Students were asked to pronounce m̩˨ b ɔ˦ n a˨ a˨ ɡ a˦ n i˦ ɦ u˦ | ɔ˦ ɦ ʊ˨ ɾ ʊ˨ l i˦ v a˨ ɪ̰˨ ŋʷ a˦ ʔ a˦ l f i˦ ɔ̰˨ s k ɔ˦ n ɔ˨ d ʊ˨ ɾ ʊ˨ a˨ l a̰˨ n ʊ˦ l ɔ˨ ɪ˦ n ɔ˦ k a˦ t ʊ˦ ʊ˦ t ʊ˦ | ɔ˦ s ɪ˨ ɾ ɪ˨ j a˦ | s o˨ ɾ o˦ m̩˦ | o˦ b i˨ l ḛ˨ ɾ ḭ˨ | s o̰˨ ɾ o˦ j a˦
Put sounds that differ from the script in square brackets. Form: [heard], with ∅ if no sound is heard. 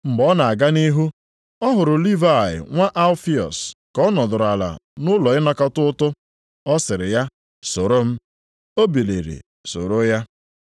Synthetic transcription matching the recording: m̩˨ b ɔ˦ n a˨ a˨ ɡ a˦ n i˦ ɦ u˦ | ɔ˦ ɦ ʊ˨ ɾ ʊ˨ l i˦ v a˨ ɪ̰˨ ŋʷ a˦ ʔ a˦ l f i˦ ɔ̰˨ s k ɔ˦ n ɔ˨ d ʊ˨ ɾ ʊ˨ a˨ l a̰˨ n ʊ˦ l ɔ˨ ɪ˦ n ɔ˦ k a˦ t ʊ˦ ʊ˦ t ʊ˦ | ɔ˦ s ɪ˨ ɾ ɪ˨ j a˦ | s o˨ ɾ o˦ m̩˦ | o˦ b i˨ l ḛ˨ ɾ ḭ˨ | s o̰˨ ɾ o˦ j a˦